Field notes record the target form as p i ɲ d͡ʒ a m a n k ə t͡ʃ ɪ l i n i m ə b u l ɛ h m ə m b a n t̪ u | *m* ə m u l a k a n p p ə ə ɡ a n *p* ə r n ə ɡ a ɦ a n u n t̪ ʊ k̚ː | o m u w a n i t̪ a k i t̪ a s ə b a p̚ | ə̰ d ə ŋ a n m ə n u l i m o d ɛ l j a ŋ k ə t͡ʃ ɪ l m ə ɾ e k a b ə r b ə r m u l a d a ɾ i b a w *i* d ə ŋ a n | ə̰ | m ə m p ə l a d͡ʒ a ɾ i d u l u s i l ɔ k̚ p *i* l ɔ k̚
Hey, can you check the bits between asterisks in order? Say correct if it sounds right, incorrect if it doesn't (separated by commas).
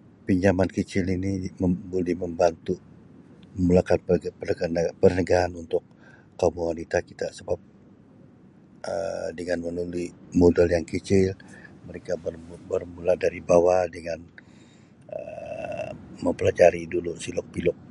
correct, correct, incorrect, correct